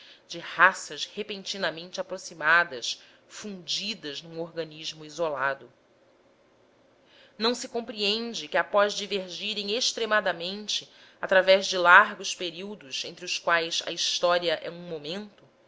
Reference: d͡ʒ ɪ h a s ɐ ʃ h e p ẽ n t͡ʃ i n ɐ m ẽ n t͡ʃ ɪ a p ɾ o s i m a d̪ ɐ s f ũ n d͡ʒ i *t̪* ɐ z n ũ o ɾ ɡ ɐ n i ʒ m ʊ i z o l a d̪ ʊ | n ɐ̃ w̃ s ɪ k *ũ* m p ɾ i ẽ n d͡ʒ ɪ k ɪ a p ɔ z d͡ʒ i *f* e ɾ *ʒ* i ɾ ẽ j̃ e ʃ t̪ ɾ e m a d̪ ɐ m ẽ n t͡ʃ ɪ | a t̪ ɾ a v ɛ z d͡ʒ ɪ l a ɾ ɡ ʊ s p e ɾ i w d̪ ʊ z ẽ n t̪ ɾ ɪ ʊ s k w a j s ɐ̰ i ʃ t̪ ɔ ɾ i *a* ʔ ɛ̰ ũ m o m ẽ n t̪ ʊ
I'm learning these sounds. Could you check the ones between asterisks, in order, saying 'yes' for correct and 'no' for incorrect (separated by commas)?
no, no, no, yes, no